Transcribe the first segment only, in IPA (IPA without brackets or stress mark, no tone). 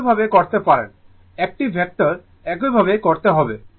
bʱ